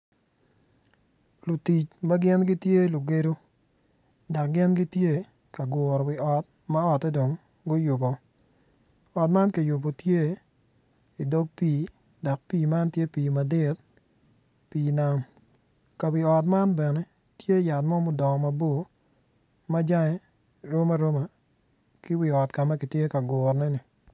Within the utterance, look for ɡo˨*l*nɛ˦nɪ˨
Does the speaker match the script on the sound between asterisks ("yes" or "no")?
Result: no